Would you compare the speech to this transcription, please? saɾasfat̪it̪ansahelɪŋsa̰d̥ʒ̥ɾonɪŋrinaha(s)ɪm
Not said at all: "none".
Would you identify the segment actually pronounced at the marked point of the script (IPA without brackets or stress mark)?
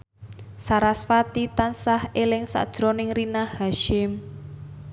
ʃ